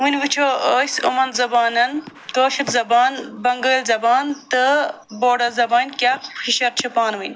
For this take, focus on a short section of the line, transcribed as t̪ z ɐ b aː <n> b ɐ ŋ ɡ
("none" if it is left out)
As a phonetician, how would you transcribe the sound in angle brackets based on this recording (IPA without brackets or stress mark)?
n